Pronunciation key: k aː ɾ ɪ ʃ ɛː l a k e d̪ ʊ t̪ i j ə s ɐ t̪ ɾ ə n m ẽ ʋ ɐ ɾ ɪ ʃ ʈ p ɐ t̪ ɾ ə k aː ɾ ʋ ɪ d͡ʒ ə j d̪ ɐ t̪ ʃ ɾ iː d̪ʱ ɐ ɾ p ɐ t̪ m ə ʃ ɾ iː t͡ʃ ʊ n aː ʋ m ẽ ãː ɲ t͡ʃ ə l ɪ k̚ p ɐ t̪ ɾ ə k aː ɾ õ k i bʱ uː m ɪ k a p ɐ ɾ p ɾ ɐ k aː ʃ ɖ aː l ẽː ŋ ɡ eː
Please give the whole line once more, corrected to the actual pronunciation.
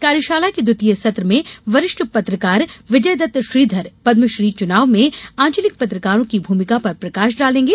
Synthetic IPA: k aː ɾ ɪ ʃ aː l a k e d̪ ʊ t̪ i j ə s ɐ t̪ ɾ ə m ẽ ʋ ɐ ɾ ɪ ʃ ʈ p ɐ t̪ ɾ ə k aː ɾ ʋ ɪ d͡ʒ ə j d̪ ɐ t̪ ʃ ɾ iː d̪ʱ ɐ ɾ p ɐ d̪ m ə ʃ ɾ iː t͡ʃ ʊ n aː ʋ m ẽ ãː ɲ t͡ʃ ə l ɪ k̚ p ɐ t̪ ɾ ə k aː ɾ õ k i bʱ uː m ɪ k a p ɐ ɾ p ɾ ɐ k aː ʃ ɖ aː l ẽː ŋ ɡ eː

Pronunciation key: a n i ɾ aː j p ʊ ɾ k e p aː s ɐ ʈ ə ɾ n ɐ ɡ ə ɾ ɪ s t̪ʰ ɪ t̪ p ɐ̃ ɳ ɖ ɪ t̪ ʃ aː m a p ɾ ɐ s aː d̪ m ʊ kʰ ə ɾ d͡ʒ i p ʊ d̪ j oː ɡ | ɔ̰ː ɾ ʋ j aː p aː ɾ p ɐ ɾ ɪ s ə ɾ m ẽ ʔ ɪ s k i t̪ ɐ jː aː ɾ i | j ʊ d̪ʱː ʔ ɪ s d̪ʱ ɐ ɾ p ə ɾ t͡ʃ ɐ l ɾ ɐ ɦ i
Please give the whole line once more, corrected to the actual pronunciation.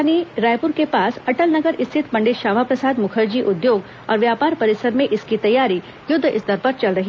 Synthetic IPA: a n i ɾ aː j p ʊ ɾ k e p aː s ɐ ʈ ə l n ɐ ɡ ə ɾ ɪ s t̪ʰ ɪ t̪ p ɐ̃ ɳ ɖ ɪ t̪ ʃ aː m a p ɾ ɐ s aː d̪ m ʊ kʰ ə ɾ d͡ʒ i ʔ ʊ d̪ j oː ɡ | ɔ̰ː ɾ ʋ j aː p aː ɾ p ɐ ɾ ɪ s ə ɾ m ẽ ʔ ɪ s k i t̪ ɐ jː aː ɾ i | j ʊ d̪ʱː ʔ ɪ s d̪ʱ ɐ ɾ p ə ɾ t͡ʃ ɐ l ɾ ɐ ɦ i

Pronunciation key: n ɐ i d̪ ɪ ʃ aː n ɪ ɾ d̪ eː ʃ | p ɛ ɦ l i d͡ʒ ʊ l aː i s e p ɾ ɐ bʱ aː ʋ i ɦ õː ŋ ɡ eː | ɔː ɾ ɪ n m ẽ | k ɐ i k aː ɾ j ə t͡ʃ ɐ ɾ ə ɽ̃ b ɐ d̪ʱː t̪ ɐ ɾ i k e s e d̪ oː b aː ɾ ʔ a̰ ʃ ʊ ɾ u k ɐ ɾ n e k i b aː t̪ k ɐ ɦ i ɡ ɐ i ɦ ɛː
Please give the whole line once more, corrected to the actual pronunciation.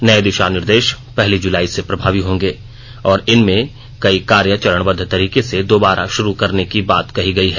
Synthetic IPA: n ɐ e d̪ ɪ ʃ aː n ɪ ɾ d̪ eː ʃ | p ɛ ɦ l i d͡ʒ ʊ l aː i s e p ɾ ɐ bʱ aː ʋ i ɦ õː ŋ ɡ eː | ɔː ɾ ɪ n m ẽ | k ɐ i k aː ɾ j ə t͡ʃ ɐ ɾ ə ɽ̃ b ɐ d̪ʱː t̪ ɐ ɾ iː k e s e d̪ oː b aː ɾ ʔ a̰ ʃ ʊ ɾ u k ɐ ɾ n e k i b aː t̪ k ɐ ɦ i ɡ ɐ i ɦ ɛː

